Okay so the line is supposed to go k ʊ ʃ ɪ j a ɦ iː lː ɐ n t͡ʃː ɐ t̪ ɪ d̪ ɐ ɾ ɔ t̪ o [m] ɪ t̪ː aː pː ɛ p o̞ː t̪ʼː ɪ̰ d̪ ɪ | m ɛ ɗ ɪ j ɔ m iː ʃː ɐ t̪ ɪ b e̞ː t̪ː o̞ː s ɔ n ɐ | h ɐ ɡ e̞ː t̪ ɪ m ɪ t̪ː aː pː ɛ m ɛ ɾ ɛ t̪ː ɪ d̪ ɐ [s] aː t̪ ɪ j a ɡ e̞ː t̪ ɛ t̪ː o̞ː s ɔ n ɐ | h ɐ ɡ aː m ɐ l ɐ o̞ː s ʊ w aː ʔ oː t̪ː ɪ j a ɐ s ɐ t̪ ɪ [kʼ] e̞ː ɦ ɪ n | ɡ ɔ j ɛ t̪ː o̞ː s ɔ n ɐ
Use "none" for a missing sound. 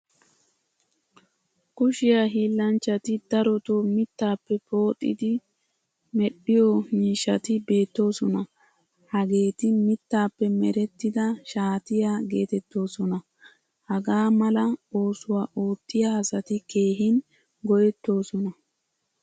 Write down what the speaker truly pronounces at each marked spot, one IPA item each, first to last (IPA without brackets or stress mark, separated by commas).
m, ʃ, k